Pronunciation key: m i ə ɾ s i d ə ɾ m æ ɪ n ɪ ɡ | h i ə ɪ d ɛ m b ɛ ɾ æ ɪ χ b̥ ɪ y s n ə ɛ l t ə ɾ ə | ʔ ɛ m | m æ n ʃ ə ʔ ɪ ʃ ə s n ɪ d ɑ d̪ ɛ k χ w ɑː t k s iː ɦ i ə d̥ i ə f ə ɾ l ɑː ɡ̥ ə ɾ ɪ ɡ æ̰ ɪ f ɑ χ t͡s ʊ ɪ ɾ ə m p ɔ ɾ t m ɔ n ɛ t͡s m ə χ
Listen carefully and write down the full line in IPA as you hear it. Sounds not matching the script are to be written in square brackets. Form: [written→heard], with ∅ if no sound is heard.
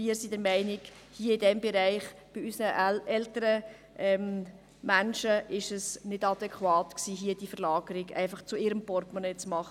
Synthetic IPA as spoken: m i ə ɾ s i d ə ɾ m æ ɪ n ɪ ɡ | h i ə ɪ d ɛ m b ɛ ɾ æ ɪ χ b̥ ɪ y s n ə ɛ l t ə ɾ ə | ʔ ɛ m | m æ n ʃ ə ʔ ɪ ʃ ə s n ɪ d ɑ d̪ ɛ k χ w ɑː t k s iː ɦ i ə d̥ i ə f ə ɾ l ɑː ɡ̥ ə ɾ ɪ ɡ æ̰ ɪ f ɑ χ t͡s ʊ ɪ ɾ ə m p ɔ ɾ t m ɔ n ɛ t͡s m [ə→ɑ] χ